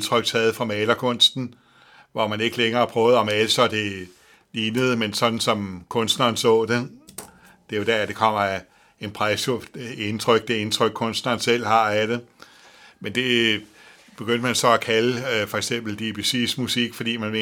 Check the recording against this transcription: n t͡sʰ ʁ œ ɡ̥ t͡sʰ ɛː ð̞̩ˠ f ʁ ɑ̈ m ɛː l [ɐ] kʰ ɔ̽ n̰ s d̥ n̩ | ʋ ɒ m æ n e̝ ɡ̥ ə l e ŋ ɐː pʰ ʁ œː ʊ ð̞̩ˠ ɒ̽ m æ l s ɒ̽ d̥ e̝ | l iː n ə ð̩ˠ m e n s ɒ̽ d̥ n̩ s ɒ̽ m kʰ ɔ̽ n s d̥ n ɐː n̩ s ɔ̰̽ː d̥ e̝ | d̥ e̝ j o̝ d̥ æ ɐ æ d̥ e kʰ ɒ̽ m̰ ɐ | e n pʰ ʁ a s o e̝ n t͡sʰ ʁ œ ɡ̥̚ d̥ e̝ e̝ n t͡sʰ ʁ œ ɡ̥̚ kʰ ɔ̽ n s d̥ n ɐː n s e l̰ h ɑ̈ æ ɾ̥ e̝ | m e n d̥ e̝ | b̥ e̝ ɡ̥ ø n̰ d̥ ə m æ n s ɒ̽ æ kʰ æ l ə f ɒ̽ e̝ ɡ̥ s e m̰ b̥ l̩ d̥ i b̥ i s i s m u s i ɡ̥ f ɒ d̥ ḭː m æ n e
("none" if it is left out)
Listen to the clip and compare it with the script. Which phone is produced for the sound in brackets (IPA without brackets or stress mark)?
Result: ɐ